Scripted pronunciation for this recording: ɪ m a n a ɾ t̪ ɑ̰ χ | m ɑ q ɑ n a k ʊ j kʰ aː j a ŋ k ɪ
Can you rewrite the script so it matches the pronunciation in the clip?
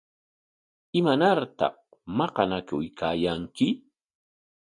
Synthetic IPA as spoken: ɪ m a n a ɾ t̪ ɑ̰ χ | m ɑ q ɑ n a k ʊ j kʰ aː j a ŋ k ɪ